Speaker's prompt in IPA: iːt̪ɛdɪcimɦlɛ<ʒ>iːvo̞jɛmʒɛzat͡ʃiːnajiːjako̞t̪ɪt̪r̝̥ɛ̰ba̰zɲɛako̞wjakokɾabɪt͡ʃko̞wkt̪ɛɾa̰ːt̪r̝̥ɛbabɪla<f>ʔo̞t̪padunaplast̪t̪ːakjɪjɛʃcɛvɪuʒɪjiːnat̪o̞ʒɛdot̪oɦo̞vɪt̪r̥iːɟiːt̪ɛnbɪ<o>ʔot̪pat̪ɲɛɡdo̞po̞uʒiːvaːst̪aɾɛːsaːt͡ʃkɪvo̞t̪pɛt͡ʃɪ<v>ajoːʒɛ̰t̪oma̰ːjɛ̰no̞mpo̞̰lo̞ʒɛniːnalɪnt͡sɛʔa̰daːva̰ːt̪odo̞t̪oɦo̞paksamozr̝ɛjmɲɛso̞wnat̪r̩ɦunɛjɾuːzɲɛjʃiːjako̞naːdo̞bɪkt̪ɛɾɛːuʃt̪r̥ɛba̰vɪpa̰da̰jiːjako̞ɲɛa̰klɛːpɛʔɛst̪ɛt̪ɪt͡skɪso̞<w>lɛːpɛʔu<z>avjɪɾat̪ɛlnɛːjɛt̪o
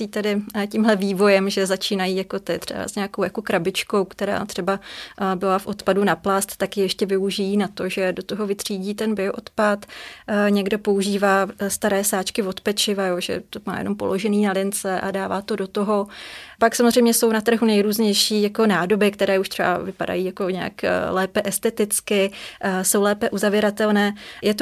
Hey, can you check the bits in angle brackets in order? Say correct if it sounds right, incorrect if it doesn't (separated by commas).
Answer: incorrect, correct, correct, correct, correct, correct